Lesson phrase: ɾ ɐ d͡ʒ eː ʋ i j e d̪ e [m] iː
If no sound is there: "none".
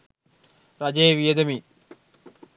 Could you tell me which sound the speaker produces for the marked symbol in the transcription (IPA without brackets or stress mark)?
m